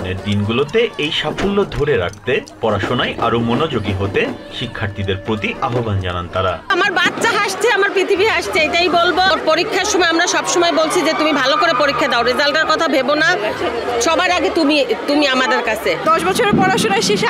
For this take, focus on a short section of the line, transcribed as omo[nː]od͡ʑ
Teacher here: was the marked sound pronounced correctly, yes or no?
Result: no